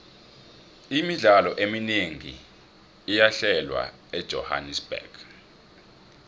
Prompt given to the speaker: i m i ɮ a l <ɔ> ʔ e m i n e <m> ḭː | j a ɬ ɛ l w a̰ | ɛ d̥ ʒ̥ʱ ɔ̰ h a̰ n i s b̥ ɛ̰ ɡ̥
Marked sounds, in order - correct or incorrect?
correct, incorrect

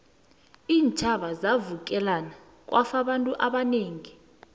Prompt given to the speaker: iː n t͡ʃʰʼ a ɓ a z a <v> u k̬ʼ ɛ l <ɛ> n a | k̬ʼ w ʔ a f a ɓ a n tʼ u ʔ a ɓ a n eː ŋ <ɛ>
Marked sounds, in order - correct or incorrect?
correct, incorrect, incorrect

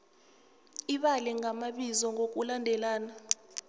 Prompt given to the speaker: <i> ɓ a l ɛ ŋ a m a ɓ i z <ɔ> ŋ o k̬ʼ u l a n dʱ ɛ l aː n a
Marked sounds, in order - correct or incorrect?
correct, correct

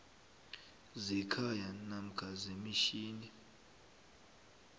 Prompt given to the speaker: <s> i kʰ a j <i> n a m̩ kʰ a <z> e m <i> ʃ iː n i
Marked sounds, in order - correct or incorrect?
incorrect, incorrect, correct, correct

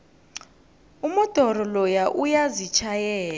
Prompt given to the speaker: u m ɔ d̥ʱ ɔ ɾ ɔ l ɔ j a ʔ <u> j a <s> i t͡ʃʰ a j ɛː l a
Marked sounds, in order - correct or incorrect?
correct, incorrect

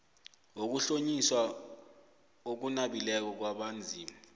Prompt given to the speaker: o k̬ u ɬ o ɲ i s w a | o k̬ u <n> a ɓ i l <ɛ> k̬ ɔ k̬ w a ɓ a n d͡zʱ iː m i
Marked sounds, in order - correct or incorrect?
correct, correct

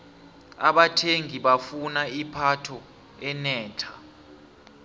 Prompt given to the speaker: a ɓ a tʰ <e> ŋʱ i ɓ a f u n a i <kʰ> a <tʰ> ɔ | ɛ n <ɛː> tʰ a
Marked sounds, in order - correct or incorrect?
correct, incorrect, correct, correct

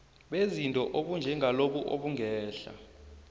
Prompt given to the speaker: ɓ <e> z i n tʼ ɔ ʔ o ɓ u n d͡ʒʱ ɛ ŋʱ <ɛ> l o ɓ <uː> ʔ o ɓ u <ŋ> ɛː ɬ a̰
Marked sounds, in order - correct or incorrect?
correct, incorrect, incorrect, correct

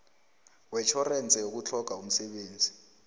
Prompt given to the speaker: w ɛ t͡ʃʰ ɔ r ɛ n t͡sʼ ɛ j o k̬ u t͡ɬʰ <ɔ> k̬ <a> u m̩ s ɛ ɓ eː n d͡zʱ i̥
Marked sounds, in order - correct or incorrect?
correct, correct

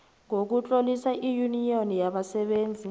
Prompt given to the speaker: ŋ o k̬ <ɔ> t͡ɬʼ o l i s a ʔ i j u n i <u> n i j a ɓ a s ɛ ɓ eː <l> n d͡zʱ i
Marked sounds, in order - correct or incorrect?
incorrect, incorrect, incorrect

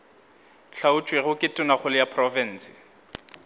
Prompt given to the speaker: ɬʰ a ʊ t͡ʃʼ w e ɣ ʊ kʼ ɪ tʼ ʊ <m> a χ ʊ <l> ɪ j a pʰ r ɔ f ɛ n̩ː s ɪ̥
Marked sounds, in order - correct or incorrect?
incorrect, correct

